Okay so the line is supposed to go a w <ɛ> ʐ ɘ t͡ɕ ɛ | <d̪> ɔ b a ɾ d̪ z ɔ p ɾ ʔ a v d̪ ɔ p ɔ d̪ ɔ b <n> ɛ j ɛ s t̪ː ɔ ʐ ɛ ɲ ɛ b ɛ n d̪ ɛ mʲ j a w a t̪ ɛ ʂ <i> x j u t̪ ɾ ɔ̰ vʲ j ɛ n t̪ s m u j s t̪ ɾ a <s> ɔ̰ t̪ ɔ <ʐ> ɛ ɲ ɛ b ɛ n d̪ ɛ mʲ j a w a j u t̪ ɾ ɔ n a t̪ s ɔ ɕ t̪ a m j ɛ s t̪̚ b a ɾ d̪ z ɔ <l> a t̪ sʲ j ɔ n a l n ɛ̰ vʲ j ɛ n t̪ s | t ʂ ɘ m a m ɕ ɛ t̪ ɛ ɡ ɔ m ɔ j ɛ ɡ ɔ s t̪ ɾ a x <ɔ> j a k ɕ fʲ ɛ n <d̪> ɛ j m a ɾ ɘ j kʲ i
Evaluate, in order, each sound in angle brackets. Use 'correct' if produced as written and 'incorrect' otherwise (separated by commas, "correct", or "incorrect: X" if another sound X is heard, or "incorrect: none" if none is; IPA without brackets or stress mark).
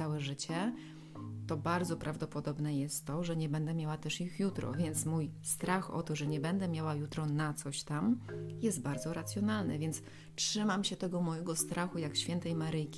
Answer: correct, incorrect: t̪, correct, correct, incorrect: x, correct, incorrect: ɾ, incorrect: u, incorrect: t̪